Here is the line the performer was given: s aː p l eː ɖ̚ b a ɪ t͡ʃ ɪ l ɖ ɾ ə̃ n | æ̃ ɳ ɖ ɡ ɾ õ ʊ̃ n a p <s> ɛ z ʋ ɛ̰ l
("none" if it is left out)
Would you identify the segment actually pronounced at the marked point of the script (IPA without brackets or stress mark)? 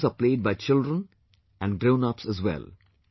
s